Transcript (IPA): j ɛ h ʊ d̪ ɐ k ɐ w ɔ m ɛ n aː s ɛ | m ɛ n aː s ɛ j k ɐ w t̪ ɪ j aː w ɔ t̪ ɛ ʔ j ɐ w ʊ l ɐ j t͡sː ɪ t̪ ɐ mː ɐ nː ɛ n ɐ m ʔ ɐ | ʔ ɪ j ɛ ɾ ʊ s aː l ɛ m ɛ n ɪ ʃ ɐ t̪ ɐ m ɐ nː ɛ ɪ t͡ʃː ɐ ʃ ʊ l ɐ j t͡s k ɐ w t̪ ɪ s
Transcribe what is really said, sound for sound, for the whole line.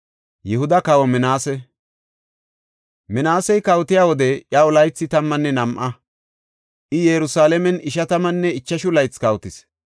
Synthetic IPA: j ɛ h ʊ d̪ ɐ k ɐ w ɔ m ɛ n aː s ɛ | m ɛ n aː s ɛ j k ɐ w t̪ ɪ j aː w ɔ d̪ ɛ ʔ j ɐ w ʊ l ɐ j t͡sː ɪ t̪ ɐ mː ɐ nː ɛ n ɐ m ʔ ɐ | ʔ ɪ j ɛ ɾ ʊ s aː l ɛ m ɛ n ɪ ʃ ɐ t̪ ɐ m ɐ nː ɛ ɪ t͡ʃː ɐ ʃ ʊ l ɐ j t͡s k ɐ w t̪ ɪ s